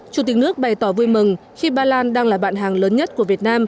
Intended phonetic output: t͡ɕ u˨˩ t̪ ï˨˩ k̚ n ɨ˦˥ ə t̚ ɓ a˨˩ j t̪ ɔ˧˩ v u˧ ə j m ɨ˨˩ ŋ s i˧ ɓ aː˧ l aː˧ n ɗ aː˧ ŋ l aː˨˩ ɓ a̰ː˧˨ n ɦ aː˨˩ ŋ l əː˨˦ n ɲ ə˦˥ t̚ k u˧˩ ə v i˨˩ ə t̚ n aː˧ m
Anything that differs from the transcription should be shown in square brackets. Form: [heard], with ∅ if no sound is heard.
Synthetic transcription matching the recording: t͡ɕ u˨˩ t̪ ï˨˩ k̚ n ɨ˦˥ ə [k̚] ɓ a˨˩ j t̪ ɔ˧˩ v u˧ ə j m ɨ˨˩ ŋ [x] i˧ ɓ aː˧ l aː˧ n ɗ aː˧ ŋ l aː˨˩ ɓ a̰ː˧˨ n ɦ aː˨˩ ŋ l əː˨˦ n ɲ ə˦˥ t̚ k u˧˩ ə v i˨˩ ə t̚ n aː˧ m